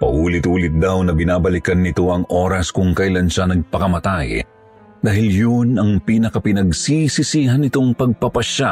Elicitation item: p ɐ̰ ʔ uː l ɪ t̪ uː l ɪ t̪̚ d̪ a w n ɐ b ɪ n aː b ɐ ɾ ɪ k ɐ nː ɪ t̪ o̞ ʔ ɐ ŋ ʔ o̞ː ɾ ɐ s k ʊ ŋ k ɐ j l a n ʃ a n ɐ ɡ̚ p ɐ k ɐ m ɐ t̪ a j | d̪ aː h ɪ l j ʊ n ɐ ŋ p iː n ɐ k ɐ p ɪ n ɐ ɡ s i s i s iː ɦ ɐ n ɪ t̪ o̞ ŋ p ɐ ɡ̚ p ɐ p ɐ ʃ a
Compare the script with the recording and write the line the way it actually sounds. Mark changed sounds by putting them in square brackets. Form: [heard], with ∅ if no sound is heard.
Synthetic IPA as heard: p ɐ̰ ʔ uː l ɪ t̪ uː l ɪ t̪̚ d̪ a w n ɐ b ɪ n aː b ɐ [l] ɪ k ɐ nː ɪ t̪ o̞ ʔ ɐ ŋ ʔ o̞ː ɾ ɐ s k ʊ ŋ k ɐ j l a n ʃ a n ɐ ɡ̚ p ɐ k ɐ m ɐ t̪ a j | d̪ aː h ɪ l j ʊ n ɐ ŋ p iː n ɐ k ɐ p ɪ n ɐ ɡ s i s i s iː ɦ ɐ n ɪ t̪ o̞ ŋ p ɐ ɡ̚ p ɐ p ɐ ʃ a